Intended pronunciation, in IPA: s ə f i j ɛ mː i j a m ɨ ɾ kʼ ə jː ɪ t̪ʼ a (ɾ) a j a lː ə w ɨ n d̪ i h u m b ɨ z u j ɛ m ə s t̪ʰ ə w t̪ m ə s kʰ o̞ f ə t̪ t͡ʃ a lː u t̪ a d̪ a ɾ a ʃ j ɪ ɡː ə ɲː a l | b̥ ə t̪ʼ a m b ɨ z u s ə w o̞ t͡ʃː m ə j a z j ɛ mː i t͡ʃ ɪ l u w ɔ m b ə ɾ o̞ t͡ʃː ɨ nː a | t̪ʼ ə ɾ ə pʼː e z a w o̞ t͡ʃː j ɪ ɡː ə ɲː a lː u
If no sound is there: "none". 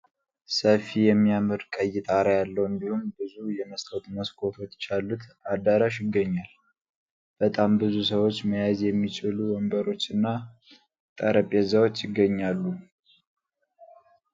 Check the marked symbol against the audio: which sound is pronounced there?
ɾ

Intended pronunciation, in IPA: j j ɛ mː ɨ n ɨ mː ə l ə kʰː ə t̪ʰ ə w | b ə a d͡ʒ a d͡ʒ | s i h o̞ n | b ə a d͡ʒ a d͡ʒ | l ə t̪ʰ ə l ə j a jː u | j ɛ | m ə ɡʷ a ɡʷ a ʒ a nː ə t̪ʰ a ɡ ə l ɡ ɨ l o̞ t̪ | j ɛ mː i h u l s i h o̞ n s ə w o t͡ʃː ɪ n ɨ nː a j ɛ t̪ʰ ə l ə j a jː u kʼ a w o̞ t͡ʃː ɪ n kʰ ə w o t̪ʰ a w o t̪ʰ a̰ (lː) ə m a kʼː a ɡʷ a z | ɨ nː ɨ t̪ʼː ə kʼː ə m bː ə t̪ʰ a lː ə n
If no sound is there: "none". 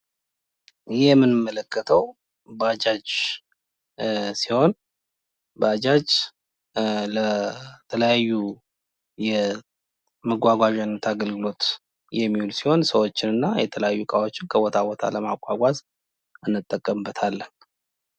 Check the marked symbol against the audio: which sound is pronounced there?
l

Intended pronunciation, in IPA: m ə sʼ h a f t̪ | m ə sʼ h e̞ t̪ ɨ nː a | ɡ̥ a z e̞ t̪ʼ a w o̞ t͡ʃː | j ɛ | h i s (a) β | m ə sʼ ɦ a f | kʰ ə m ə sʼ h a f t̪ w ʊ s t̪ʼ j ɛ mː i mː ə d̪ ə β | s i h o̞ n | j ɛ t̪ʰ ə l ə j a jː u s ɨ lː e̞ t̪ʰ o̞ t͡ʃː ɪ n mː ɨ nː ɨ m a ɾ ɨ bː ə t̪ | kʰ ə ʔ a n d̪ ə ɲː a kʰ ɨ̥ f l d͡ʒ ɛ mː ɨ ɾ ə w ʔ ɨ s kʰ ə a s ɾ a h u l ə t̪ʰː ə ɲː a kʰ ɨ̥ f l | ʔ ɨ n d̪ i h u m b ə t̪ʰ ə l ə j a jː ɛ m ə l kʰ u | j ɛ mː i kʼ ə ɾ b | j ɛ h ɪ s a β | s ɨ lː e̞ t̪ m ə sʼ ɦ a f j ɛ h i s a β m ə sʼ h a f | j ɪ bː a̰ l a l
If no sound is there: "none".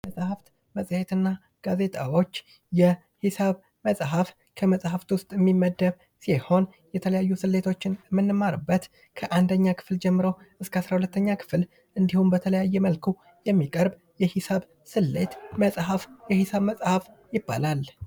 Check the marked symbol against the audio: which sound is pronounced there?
a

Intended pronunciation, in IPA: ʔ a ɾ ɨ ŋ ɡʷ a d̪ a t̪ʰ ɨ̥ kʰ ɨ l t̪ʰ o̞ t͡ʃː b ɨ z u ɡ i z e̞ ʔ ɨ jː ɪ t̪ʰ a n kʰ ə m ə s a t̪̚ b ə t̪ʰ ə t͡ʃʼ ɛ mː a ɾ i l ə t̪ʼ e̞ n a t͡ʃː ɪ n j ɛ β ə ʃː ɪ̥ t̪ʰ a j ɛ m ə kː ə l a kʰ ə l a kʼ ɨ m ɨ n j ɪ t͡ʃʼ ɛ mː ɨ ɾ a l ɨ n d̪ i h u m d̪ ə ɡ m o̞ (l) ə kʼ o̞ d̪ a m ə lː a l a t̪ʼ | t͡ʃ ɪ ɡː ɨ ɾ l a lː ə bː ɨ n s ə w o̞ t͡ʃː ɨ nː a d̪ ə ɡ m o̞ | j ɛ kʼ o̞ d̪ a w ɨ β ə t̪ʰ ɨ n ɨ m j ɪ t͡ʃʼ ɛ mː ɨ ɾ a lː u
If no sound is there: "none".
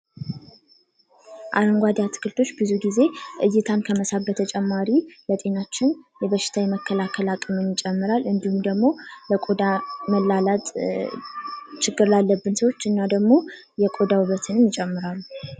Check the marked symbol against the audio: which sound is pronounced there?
l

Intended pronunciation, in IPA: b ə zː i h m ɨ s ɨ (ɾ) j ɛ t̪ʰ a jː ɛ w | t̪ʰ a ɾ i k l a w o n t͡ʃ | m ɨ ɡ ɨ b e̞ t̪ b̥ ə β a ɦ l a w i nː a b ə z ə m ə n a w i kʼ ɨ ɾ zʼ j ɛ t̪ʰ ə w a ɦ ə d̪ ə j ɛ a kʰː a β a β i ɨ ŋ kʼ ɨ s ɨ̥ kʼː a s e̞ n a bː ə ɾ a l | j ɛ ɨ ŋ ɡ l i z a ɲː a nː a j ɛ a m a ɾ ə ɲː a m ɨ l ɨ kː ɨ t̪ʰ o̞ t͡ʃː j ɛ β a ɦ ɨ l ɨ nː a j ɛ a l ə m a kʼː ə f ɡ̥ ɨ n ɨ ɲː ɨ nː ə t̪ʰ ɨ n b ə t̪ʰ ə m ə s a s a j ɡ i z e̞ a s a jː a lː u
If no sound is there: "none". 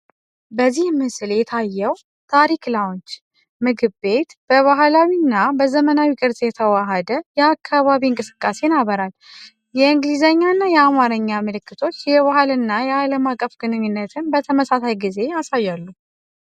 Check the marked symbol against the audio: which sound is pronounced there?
l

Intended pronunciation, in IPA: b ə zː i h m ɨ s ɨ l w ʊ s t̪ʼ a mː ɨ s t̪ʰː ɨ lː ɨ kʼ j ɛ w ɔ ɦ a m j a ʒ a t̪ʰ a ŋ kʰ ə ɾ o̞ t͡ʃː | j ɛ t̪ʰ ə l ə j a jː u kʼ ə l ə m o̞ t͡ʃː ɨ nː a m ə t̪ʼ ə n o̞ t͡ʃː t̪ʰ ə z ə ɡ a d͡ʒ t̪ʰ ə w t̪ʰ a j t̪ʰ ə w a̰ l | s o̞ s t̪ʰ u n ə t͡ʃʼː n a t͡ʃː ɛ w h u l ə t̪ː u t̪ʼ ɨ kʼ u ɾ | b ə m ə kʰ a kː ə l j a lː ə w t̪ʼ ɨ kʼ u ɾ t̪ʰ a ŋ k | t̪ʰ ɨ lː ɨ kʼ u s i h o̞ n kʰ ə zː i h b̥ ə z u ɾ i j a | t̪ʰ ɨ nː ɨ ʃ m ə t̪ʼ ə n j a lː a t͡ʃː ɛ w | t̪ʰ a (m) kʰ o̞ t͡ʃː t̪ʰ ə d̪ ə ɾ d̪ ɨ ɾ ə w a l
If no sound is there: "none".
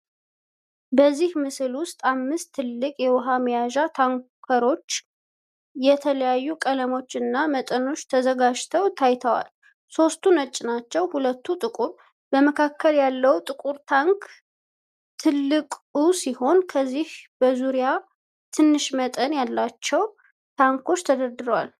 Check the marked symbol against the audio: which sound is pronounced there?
ŋ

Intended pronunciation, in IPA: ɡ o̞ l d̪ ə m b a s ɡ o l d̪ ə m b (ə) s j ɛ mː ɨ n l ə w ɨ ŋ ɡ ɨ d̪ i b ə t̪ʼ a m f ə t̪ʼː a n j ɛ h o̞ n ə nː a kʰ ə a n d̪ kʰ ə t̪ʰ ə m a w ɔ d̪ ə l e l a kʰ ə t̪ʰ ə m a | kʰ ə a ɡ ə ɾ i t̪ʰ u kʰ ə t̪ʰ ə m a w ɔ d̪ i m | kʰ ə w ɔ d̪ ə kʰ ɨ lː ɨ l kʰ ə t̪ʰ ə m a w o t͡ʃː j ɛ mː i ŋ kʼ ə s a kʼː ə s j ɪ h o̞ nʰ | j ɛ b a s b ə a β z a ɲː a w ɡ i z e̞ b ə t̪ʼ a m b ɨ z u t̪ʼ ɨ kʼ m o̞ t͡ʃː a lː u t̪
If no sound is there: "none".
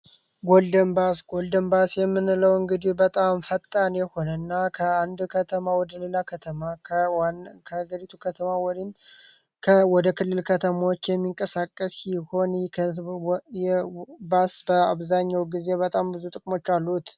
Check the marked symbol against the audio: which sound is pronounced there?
a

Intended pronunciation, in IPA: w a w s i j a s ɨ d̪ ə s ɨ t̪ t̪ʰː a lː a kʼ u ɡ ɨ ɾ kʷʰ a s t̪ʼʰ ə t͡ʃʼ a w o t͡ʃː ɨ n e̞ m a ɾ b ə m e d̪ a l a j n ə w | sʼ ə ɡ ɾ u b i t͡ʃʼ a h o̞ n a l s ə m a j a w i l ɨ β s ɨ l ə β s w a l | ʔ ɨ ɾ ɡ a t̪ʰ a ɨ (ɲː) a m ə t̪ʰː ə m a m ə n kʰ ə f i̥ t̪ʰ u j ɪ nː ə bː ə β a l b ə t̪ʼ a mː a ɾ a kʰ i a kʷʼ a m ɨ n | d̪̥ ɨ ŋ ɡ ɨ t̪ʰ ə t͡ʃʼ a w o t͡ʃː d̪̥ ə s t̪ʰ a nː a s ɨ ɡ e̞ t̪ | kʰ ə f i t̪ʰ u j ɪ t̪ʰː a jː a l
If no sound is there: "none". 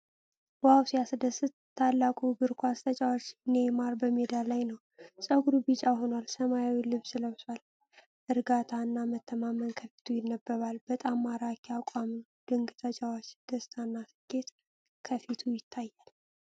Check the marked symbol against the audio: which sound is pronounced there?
nː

